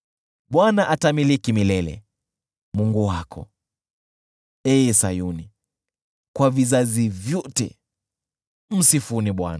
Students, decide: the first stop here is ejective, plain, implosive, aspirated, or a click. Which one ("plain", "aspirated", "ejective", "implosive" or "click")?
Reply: implosive